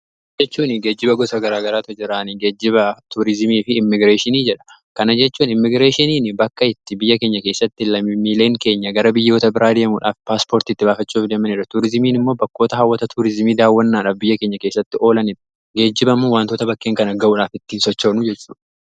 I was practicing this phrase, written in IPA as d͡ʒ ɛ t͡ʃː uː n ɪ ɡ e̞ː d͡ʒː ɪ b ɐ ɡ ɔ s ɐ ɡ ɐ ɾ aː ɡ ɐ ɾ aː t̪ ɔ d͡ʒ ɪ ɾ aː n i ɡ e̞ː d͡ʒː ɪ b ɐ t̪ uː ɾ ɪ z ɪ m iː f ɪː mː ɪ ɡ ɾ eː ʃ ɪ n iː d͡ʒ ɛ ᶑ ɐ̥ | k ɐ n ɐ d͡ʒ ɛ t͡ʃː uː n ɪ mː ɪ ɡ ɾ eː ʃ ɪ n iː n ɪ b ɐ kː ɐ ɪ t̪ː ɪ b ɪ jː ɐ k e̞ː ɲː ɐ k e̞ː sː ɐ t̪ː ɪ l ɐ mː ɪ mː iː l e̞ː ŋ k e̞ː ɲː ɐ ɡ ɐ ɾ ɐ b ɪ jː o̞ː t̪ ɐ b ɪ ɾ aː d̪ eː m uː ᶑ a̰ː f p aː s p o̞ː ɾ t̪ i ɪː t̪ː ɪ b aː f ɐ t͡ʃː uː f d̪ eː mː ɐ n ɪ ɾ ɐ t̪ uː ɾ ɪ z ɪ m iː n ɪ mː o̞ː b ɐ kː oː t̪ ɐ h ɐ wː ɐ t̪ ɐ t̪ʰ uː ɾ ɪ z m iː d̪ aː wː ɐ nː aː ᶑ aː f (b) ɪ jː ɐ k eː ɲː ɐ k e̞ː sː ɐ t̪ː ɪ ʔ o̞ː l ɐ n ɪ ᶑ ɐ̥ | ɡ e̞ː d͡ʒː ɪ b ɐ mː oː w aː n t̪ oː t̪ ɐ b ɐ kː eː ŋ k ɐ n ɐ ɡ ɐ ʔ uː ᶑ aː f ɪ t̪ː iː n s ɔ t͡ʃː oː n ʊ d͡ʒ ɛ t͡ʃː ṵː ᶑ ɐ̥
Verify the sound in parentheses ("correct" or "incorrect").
correct